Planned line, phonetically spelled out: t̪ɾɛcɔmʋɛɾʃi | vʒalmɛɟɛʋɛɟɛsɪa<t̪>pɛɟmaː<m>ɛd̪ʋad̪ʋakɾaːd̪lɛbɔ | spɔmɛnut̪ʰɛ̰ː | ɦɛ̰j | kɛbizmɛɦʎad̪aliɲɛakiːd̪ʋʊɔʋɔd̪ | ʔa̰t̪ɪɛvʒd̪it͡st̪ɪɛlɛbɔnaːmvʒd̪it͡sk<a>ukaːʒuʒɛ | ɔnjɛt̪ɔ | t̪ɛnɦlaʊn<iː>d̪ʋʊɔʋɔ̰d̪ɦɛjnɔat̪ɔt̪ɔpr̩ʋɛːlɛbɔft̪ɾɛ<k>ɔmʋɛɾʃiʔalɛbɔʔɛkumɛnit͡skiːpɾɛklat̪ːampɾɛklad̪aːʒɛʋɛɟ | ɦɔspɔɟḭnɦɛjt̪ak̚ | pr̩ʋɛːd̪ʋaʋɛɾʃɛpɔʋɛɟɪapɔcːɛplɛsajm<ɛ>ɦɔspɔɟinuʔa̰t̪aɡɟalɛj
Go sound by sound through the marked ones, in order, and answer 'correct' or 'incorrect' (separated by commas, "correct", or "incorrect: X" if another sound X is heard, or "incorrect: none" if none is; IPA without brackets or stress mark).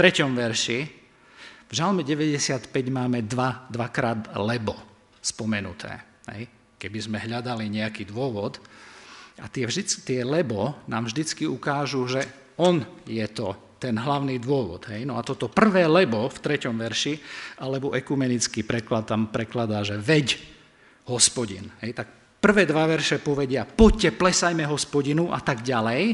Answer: correct, correct, incorrect: i, correct, incorrect: c, correct